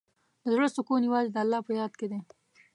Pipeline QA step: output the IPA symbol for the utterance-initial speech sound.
d̪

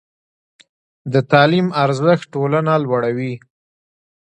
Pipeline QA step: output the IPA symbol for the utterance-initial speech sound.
d̪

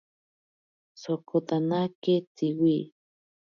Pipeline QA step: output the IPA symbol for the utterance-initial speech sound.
s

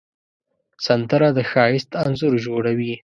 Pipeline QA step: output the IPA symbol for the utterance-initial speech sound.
s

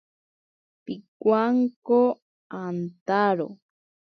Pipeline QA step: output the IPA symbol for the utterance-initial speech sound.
p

